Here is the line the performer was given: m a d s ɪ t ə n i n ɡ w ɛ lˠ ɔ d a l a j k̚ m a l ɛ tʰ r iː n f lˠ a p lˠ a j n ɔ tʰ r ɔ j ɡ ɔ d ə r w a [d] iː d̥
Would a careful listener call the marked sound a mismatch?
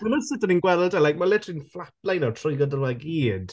yes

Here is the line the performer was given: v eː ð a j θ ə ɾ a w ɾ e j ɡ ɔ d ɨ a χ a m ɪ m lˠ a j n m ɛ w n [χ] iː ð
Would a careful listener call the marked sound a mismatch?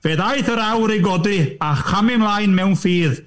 yes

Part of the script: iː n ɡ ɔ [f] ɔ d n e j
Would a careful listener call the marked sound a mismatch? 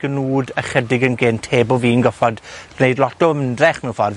no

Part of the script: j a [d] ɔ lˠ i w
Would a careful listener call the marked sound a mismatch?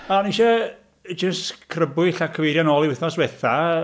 yes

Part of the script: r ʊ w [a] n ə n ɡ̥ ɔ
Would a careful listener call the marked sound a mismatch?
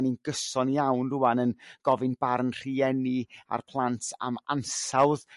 no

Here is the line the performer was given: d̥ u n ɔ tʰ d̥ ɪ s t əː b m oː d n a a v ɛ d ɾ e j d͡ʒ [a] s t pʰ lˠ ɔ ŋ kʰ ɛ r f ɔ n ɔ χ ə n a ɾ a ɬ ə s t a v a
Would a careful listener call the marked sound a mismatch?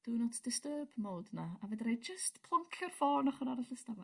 yes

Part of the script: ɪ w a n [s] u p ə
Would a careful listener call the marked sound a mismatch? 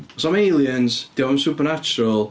no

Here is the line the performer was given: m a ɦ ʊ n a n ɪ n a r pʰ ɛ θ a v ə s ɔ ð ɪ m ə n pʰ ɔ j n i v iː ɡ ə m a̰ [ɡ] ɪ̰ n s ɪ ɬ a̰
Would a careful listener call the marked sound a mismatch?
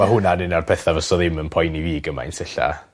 yes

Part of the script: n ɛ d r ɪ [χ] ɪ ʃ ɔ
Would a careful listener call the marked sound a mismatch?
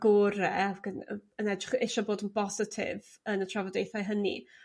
no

